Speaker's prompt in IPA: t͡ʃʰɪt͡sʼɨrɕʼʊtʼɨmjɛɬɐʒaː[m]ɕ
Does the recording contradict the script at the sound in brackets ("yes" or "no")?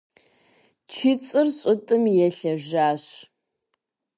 yes